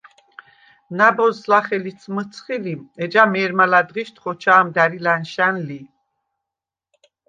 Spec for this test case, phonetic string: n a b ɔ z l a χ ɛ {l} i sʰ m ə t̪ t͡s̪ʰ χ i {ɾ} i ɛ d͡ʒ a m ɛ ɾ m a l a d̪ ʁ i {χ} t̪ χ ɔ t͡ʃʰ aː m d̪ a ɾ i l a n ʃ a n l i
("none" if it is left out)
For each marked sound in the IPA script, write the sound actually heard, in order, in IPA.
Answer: l, l, ʃ

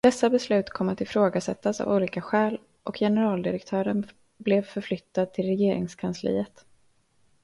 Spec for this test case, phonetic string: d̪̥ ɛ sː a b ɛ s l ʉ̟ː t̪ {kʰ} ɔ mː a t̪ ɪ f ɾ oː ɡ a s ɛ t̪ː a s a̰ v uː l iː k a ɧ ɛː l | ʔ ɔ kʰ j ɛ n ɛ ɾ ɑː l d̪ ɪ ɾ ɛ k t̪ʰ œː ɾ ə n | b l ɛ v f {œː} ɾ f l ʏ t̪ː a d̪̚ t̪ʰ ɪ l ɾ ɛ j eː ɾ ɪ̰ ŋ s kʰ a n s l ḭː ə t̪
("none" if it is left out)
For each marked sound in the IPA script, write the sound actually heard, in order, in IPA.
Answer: kʰ, œ

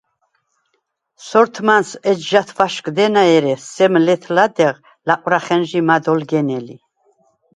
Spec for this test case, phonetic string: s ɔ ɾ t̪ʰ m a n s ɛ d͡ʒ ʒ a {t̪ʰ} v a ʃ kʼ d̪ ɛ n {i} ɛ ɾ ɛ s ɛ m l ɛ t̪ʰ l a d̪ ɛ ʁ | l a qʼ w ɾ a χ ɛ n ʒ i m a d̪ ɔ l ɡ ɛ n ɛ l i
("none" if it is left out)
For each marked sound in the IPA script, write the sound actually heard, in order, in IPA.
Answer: t̪ʰ, a

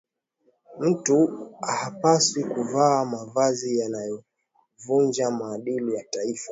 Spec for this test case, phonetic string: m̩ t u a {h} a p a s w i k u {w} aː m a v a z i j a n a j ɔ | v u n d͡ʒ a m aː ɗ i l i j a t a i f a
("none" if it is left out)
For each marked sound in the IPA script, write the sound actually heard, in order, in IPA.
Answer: h, v

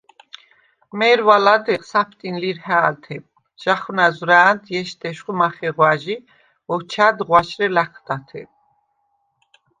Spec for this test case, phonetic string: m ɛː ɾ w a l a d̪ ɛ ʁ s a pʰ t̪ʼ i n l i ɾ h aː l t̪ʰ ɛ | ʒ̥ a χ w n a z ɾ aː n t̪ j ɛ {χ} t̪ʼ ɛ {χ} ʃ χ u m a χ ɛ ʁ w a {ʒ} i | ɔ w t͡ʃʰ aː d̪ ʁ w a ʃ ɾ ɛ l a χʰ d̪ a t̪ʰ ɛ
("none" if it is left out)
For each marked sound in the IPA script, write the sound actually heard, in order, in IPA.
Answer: ʃ, none, ʒ

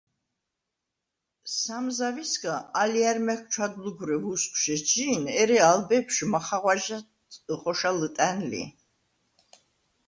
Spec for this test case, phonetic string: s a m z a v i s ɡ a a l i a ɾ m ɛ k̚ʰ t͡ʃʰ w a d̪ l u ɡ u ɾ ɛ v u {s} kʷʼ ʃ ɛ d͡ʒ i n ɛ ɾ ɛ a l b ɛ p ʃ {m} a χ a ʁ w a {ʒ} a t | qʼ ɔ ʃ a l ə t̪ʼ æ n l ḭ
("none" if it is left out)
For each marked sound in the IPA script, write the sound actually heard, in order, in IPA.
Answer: s, m, ʒ

